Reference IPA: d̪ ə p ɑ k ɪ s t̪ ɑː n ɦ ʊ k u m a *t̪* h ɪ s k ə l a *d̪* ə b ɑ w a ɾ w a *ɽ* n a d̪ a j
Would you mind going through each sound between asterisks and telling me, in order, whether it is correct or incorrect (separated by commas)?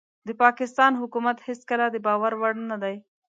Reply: correct, correct, correct